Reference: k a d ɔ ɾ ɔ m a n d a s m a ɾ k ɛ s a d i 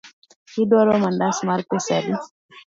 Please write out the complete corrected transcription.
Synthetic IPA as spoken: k i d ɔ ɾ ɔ m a n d a s m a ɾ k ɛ s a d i

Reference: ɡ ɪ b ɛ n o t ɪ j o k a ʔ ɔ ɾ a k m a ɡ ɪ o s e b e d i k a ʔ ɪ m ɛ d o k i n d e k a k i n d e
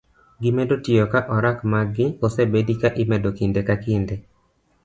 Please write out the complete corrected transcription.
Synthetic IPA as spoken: ɡ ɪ m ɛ d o t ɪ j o k a ʔ ɔ ɾ a k m a ɡ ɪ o s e b e d i k a ʔ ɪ m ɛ d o k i n d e k a k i n d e

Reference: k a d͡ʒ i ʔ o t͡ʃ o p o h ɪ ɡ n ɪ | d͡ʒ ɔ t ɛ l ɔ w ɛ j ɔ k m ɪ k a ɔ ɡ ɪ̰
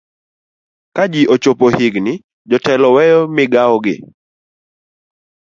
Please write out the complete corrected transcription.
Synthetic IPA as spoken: k a d͡ʒ i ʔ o t͡ʃ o p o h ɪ ɡ n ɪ | d͡ʒ ɔ t ɛ l ɔ w ɛ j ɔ m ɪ ɡ a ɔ ɡ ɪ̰

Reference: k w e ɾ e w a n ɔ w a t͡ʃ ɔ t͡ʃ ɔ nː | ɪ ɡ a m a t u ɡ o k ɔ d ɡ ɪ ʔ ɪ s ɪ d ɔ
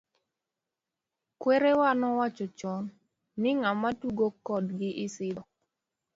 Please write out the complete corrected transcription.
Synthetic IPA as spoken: k w e ɾ e w a n ɔ w a t͡ʃ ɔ t͡ʃ ɔ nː | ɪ ŋ a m a t u ɡ o k ɔ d ɡ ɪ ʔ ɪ s ɪ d ɔ

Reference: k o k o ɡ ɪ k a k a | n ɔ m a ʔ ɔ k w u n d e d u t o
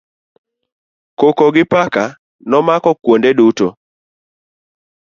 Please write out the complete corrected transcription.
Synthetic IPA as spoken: k o k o ɡ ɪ p a k a | n ɔ m a k ɔ k w o n d e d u t o

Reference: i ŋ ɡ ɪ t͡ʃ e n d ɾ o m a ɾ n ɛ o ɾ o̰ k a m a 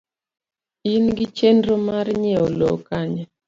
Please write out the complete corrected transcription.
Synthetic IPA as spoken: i n ɡ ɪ t͡ʃ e n d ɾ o m a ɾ ɲ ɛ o l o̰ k a ɲ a

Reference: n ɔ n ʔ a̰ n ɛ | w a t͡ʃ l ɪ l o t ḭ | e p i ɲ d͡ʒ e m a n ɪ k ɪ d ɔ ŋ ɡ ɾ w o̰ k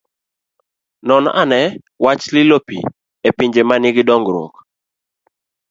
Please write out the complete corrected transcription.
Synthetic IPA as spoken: n ɔ n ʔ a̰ n ɛ | w a t͡ʃ l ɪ l o p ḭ | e p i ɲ d͡ʒ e m a n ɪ ɡ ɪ d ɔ ŋ ɡ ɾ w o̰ k

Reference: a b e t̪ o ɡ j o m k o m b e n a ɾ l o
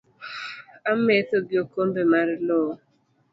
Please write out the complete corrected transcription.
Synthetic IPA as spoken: a m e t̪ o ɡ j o k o m b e m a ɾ l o

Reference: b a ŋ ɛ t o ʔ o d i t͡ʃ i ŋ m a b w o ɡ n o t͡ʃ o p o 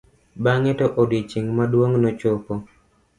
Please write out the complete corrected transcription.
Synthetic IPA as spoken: b a ŋ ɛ t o ʔ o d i t͡ʃ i ŋ m a d w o ŋ n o t͡ʃ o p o

